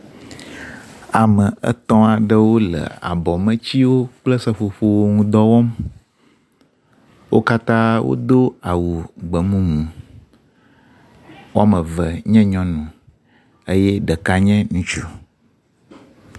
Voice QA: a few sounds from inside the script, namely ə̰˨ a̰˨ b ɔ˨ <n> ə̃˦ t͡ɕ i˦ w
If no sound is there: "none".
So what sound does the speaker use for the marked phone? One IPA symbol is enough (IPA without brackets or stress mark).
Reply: m